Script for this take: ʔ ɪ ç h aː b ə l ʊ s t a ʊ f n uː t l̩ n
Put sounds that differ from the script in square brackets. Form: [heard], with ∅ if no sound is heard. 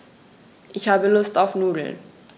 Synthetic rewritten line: ʔ ɪ ç h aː b ə l ʊ s t a ʊ f n uː [d] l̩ n